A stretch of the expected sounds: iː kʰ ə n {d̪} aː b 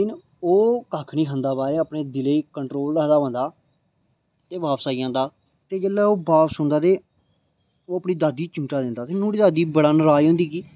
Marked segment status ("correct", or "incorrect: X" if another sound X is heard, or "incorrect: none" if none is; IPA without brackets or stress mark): correct